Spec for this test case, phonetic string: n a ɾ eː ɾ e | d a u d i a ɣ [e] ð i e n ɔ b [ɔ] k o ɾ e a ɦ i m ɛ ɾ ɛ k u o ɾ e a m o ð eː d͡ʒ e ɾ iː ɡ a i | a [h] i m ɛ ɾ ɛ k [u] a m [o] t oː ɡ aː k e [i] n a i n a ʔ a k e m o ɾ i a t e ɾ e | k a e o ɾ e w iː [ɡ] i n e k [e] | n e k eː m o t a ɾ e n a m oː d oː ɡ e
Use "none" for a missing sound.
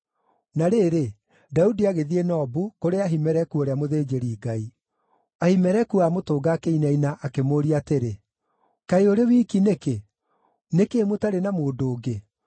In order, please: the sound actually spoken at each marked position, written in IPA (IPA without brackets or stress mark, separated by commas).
e, u, h, u, o, i, k, e